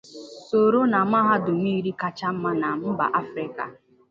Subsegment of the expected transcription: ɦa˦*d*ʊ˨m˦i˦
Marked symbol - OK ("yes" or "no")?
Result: yes